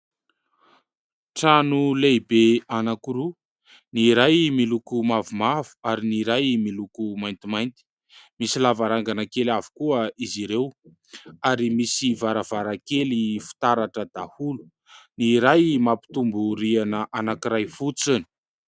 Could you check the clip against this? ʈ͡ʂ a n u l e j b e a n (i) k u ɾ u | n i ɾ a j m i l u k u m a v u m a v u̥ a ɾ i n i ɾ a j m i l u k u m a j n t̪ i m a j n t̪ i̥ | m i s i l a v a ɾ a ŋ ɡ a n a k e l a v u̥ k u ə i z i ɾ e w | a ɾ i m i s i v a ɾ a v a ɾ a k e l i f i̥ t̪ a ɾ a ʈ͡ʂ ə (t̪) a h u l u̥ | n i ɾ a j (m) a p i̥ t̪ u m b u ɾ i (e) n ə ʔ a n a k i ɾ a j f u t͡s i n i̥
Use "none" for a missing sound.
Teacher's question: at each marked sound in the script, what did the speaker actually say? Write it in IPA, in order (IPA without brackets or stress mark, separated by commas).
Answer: a, d̪, m, a